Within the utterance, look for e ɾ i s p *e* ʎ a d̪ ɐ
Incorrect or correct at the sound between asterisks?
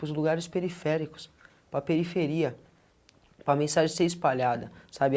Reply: incorrect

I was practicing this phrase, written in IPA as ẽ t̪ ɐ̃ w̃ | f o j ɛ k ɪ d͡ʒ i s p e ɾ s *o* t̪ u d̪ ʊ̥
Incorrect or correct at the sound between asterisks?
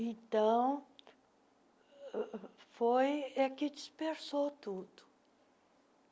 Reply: correct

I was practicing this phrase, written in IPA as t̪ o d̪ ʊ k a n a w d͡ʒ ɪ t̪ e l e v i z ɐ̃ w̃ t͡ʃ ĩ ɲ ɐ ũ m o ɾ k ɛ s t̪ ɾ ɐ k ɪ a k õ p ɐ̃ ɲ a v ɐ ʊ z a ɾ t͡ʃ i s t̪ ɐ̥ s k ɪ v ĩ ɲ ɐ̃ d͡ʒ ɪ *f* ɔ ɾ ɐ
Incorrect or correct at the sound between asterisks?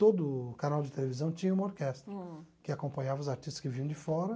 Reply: correct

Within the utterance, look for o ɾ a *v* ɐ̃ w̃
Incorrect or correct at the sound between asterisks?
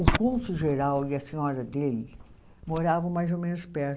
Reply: correct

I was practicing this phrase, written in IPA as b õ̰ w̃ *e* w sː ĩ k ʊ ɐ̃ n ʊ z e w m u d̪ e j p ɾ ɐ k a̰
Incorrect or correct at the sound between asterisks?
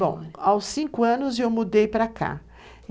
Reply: incorrect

